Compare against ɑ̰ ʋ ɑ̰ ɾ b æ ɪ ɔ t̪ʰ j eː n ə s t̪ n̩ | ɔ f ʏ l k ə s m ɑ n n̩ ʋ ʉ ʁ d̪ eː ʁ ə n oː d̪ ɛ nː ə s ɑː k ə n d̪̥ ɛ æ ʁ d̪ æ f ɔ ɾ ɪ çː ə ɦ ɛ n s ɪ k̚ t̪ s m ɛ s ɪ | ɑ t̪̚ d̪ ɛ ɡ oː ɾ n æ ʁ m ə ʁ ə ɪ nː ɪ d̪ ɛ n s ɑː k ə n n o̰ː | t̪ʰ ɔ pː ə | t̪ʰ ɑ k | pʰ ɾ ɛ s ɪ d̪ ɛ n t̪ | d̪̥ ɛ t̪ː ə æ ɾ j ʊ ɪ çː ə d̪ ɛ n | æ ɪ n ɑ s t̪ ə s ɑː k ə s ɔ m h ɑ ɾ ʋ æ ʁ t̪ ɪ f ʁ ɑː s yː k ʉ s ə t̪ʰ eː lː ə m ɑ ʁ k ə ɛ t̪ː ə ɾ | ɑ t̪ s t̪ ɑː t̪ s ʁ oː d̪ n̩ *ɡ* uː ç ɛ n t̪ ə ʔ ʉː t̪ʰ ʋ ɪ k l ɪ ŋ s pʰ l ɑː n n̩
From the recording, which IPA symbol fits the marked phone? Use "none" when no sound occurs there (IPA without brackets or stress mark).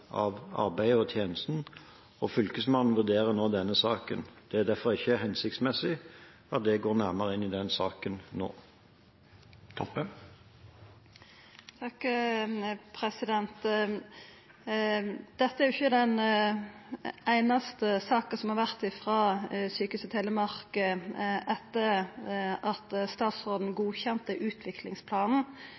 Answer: ɡ